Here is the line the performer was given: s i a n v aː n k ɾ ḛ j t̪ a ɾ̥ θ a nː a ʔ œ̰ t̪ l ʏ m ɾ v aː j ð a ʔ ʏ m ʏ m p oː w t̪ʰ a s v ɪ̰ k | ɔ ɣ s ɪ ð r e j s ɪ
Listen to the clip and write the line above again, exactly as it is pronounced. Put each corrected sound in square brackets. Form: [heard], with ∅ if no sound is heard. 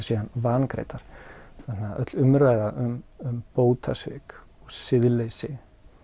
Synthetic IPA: s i a n v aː n k ɾ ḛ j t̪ a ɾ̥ θ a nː a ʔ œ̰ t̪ l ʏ m ɾ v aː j ð a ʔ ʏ m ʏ m p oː w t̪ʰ a s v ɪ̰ k | ɔ ɣ s ɪ ð [l] e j s ɪ